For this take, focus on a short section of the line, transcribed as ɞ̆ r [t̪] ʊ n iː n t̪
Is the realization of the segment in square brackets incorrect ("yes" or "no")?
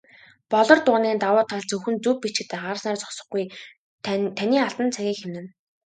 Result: no